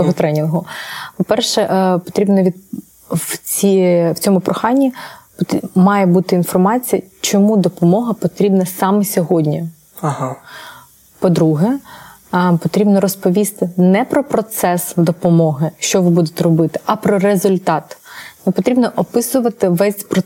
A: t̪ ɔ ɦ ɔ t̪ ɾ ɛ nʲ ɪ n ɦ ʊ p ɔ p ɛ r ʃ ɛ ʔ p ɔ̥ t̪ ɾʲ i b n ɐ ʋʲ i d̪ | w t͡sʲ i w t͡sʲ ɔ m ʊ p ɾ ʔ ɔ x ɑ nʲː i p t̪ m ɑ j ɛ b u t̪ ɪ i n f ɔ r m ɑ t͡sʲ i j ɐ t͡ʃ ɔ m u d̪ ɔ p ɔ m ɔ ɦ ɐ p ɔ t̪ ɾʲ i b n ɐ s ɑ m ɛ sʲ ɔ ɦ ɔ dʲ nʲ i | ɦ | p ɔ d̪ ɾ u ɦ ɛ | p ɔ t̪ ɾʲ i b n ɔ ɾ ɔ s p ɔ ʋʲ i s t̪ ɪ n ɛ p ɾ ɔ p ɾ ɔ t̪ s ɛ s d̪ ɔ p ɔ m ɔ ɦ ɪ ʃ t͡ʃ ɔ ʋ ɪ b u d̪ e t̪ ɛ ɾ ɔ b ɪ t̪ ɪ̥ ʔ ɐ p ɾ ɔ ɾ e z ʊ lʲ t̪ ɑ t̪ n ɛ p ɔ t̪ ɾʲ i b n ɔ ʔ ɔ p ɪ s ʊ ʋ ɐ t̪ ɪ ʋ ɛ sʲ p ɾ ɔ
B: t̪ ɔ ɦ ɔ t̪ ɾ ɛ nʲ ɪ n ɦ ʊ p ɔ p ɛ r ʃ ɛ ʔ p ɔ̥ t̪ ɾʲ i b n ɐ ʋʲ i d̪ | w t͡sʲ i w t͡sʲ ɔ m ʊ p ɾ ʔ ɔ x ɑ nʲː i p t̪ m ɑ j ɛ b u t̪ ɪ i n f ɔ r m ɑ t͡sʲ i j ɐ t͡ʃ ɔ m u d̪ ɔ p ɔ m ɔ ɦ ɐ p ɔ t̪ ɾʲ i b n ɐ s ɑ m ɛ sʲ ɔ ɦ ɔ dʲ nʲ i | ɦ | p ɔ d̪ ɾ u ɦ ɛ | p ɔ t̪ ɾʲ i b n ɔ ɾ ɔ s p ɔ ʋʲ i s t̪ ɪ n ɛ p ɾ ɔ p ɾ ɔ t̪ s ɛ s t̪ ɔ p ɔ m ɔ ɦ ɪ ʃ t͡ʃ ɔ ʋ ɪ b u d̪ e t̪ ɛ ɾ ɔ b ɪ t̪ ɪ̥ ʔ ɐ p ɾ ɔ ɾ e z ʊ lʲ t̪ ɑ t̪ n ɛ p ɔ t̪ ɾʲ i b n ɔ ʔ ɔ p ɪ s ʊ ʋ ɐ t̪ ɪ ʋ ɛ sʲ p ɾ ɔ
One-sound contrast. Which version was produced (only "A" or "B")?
A